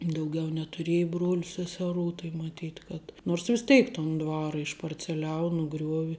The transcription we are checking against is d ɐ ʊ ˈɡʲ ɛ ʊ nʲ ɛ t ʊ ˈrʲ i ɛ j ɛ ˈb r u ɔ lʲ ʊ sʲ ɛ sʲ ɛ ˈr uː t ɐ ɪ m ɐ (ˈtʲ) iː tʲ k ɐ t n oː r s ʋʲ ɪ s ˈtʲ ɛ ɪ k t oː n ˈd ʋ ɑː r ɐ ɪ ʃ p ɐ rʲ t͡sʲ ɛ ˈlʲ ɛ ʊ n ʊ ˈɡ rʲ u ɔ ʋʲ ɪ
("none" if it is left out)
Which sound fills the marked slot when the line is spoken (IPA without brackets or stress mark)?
tʲ